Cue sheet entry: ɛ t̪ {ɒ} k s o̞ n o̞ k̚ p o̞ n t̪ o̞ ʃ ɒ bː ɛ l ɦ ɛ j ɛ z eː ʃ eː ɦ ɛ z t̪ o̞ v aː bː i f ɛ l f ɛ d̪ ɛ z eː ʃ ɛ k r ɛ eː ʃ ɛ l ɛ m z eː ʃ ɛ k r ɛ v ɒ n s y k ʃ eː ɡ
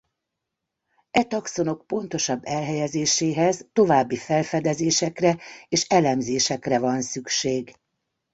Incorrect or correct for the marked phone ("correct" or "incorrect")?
correct